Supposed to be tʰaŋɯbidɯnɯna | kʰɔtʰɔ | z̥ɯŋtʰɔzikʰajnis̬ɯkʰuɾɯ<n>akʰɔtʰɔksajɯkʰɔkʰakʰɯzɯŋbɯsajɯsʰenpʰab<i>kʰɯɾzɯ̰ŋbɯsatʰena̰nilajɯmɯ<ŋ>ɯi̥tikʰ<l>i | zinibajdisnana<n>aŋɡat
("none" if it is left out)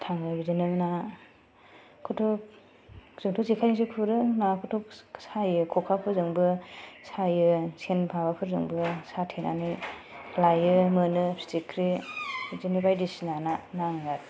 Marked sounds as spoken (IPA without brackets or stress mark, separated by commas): n, a, n, ɾ, n